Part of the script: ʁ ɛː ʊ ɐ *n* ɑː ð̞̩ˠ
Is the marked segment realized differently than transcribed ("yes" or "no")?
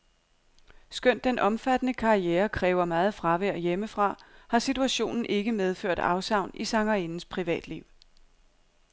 yes